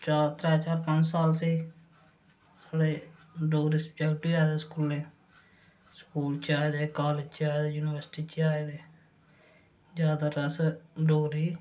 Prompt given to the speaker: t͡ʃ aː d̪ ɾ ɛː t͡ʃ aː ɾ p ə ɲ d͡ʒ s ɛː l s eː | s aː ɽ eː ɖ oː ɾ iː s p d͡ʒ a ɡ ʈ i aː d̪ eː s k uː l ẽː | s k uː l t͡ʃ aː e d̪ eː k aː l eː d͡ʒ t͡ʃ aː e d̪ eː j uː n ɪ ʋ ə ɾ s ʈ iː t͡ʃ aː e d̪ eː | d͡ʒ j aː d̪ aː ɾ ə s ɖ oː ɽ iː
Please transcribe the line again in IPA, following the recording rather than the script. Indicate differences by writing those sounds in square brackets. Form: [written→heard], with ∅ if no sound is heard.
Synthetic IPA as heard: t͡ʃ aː [d̪→t̪] ɾ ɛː t͡ʃ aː ɾ p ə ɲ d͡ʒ s [ɛː→aː] l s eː | s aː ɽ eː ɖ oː ɾ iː s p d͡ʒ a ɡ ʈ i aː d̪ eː s k uː l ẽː | s k uː l t͡ʃ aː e d̪ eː k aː l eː d͡ʒ t͡ʃ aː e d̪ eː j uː n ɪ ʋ ə ɾ s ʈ iː t͡ʃ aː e d̪ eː | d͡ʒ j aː d̪ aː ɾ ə s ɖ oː [ɽ→ɾ] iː